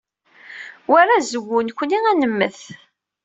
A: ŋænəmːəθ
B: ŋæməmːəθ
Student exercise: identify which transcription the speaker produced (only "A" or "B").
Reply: A